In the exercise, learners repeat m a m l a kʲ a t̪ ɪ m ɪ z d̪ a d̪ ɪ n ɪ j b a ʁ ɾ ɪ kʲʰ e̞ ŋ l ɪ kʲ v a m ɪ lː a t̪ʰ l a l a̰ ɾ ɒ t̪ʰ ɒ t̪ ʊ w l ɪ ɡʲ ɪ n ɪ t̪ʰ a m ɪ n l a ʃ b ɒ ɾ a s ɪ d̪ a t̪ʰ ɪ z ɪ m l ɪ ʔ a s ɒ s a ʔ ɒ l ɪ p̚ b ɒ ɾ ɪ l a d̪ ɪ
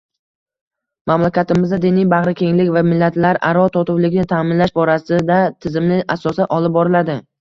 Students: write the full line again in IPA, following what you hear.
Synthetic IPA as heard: m a m l a kʲ a t̪ ɪ m ɪ z d̪ a d̪ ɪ n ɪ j b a ʁ ɾ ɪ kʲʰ e̞ ŋ l ɪ kʲ v a m ɪ lː a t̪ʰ l a ɾ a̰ ɾ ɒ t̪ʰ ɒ t̪ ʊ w l ɪ ɡʲ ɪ n ɪ t̪ʰ a m ɪ n l a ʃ b ɒ ɾ a s ɪ d̪ a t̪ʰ ɪ z ɪ m l ɪ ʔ a s ɒ s a ʔ ɒ l ɪ p̚ b ɒ ɾ ɪ l a d̪ ɪ